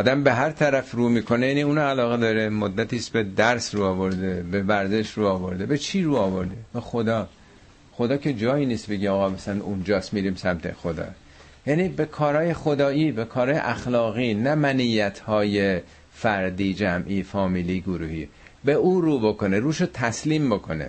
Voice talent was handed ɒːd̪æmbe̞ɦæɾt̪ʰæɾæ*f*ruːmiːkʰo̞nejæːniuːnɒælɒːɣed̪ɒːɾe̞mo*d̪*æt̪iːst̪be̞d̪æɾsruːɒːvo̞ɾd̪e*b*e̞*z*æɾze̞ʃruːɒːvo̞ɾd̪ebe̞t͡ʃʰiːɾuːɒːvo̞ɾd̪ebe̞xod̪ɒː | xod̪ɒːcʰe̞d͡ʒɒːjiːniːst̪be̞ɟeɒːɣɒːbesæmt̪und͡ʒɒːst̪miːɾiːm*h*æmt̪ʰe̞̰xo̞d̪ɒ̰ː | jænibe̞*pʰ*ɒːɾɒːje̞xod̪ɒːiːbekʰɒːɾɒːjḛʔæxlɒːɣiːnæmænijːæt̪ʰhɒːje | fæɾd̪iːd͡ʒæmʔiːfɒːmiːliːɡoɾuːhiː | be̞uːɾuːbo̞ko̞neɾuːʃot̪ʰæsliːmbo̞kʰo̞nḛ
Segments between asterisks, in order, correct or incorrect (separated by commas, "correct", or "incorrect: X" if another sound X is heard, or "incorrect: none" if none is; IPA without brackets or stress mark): correct, incorrect: d̪ː, correct, incorrect: v, incorrect: s, incorrect: kʰ